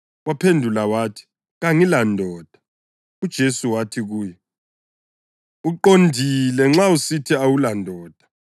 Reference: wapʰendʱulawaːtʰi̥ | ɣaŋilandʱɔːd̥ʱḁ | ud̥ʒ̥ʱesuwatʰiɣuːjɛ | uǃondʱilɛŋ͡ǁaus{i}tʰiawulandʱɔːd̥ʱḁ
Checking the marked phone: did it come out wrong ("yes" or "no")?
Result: no